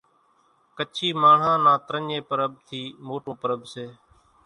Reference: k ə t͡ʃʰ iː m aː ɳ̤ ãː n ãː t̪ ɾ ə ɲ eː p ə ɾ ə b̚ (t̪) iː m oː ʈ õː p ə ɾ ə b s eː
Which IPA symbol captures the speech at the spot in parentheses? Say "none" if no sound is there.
t̪ʰ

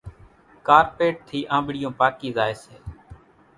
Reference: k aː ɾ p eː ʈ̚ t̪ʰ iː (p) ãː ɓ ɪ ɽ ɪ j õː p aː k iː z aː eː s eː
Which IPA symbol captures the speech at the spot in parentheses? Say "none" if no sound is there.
ʔ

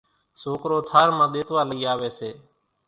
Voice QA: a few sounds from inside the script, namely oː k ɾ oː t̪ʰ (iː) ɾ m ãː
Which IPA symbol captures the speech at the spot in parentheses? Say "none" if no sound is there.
aː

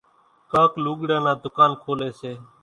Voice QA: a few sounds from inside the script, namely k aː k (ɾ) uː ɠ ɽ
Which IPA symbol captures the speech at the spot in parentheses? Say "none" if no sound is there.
l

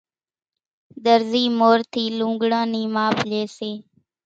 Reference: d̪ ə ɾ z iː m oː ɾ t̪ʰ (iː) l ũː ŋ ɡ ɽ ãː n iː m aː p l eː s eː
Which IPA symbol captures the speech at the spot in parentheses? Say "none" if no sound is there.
iː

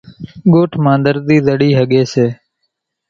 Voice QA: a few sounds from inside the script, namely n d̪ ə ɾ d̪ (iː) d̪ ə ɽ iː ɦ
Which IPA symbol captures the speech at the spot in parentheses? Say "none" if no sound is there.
iː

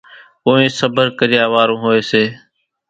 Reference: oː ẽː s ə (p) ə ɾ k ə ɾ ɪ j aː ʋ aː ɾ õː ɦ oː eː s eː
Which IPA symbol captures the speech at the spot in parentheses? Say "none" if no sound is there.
b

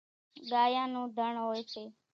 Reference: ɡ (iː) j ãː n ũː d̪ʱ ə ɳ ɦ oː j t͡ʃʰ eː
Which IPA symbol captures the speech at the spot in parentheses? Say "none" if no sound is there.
aː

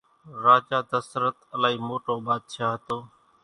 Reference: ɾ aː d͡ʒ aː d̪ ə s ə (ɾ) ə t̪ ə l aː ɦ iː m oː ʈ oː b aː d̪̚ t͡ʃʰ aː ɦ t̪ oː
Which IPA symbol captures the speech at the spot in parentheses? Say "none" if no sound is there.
ɾ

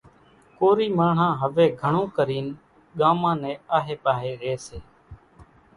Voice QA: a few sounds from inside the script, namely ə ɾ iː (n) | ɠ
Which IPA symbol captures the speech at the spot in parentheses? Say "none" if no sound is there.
n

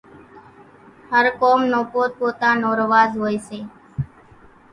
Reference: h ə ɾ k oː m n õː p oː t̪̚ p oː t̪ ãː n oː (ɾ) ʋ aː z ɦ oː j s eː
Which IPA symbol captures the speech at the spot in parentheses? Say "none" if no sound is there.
ɾ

